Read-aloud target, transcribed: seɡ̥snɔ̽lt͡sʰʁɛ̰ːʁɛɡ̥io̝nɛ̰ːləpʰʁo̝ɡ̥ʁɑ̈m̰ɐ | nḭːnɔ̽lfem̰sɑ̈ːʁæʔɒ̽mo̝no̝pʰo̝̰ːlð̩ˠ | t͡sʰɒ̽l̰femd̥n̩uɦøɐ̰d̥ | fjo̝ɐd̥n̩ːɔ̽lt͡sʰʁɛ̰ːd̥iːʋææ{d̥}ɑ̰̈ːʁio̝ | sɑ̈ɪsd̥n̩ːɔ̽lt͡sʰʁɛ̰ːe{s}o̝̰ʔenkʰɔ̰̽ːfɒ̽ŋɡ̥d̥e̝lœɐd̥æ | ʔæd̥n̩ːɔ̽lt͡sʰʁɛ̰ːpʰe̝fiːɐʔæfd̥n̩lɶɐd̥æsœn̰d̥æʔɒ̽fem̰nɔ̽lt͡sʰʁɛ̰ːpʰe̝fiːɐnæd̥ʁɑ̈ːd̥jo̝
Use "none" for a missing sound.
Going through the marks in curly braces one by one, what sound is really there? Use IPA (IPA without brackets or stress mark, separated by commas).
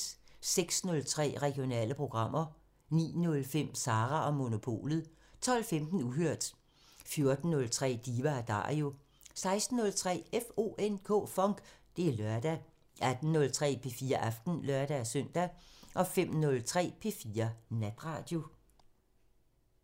d̥, f